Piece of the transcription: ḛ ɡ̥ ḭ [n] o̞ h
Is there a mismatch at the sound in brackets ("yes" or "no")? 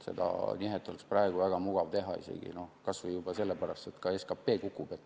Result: no